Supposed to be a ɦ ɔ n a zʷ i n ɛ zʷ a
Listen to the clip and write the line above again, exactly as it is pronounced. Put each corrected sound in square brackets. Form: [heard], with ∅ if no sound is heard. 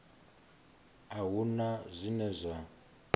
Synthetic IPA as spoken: a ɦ [u] n a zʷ i n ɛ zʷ a